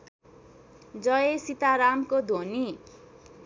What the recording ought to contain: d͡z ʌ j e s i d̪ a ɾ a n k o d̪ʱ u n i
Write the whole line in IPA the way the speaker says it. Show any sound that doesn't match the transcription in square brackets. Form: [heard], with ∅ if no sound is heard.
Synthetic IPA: d͡z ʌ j e s i [t̪] a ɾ a [m] k o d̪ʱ [o] n i